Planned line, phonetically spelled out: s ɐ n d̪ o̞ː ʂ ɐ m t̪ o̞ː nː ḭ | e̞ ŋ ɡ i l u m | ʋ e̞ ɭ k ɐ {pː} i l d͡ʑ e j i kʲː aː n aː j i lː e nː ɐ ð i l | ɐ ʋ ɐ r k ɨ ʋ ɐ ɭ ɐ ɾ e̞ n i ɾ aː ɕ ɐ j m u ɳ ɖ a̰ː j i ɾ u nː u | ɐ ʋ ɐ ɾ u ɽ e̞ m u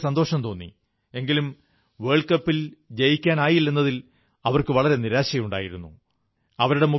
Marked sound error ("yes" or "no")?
no